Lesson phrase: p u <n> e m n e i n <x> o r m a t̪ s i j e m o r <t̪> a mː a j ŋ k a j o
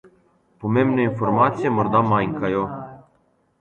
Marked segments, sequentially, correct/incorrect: incorrect: m, incorrect: f, incorrect: d̪

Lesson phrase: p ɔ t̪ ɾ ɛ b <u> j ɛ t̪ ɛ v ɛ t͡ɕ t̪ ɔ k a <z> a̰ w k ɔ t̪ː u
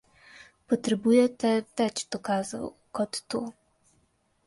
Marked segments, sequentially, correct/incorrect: correct, correct

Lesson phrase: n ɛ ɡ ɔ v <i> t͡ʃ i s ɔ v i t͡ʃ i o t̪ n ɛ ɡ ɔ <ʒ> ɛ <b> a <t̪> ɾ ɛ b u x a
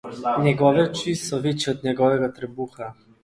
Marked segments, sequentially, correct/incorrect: incorrect: ɛ, incorrect: v, incorrect: ɡ, correct

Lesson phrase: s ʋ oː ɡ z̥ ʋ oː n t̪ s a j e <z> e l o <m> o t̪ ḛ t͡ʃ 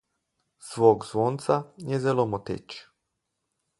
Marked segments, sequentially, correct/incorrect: correct, correct

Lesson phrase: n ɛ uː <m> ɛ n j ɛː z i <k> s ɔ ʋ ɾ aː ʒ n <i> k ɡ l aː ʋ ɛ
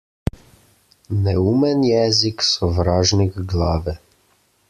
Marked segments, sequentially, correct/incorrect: correct, correct, correct

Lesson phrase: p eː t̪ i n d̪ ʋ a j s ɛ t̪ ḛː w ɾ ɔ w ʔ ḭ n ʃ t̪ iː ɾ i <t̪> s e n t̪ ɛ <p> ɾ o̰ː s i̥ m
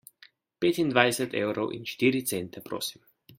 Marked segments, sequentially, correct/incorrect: correct, correct

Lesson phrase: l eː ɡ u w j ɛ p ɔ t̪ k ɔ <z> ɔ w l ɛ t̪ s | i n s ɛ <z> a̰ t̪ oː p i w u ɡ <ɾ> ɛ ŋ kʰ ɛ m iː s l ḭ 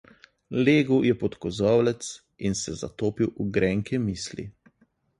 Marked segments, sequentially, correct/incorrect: correct, correct, correct

